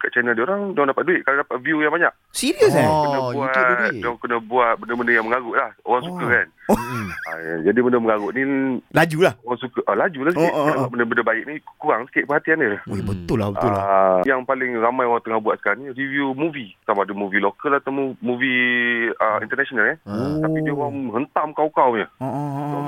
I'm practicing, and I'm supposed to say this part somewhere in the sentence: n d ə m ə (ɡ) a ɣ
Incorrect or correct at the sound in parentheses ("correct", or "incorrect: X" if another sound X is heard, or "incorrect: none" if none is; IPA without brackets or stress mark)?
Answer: incorrect: ŋ